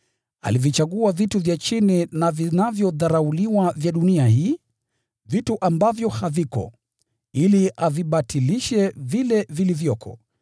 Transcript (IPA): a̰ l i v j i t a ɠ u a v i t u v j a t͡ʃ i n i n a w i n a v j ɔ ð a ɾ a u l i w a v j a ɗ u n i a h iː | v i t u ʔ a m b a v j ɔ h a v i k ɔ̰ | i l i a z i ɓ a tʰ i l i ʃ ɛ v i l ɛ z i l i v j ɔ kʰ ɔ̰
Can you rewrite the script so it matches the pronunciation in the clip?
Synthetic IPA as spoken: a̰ l i v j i t͡ʃ a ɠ u a v i t u v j a t͡ʃ i n i n a v i n a v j ɔ ð a ɾ a u l i w a v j a ɗ u n i a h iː | v i t u ʔ a m b a v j ɔ h a v i k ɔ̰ | i l i a v i ɓ a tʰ i l i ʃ ɛ v i l ɛ v i l i v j ɔ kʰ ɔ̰